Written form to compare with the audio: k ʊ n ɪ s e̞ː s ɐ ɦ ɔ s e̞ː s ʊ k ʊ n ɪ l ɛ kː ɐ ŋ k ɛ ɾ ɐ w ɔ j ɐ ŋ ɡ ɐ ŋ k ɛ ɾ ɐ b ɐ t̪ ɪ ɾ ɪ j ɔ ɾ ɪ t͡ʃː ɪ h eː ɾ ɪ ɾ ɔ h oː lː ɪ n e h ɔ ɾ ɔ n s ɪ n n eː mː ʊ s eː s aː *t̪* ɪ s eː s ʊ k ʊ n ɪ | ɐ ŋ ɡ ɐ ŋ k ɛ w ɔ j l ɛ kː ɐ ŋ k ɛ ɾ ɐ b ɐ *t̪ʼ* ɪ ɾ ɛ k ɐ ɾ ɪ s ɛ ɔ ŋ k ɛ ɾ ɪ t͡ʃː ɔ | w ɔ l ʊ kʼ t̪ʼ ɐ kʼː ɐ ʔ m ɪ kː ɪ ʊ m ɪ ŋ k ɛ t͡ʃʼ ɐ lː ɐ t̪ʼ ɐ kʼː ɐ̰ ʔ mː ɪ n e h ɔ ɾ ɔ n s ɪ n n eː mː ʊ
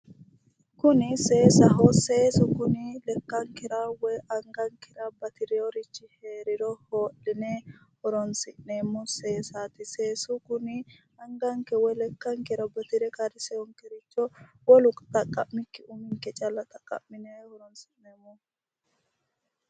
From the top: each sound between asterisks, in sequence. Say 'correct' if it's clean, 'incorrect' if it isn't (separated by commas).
correct, incorrect